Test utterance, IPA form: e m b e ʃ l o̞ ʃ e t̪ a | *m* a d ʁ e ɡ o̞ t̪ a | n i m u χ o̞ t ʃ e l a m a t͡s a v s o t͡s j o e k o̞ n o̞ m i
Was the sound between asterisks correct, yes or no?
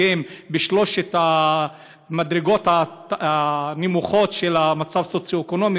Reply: yes